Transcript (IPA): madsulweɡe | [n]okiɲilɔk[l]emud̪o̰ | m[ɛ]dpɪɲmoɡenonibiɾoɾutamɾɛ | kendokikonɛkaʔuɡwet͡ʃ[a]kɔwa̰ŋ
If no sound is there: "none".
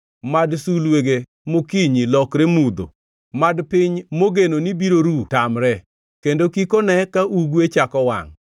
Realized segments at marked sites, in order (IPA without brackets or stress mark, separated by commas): m, ɾ, a, a